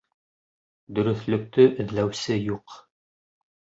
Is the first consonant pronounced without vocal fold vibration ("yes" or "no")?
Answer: no